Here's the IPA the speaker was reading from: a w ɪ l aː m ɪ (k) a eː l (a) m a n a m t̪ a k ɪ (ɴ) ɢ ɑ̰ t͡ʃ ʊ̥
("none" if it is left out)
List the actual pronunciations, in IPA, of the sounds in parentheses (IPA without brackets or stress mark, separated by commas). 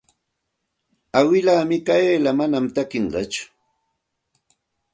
k, a, ɴ